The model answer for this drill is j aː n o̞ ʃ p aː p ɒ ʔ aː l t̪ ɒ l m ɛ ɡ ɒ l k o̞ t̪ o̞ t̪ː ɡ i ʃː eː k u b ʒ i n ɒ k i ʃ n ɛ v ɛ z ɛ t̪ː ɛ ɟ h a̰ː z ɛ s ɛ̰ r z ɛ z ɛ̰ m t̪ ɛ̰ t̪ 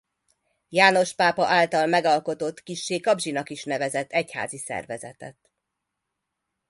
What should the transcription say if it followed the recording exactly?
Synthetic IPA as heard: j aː n o̞ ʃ p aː p ɒ ʔ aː l t̪ ɒ l m ɛ ɡ ɒ l k o̞ t̪ o̞ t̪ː k i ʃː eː k ɒ b ʒ i n ɒ k i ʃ n ɛ v ɛ z ɛ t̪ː ɛ c h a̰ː z i s ɛ̰ r v ɛ z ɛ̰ t̪ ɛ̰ t̪